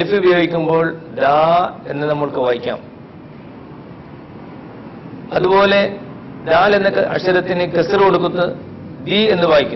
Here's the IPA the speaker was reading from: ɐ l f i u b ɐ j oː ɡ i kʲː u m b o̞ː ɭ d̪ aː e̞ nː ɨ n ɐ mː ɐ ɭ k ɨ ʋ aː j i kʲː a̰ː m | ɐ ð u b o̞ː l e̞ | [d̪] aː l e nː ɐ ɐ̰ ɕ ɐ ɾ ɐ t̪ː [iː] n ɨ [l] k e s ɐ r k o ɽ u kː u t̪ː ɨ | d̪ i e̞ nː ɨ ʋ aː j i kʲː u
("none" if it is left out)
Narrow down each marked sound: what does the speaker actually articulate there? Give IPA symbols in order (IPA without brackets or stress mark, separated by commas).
d̪, i, none